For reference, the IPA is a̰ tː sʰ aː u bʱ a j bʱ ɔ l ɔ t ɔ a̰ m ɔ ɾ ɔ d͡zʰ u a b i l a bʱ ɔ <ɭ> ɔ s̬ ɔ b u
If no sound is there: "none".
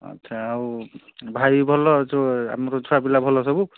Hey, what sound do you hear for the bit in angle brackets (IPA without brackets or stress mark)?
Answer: l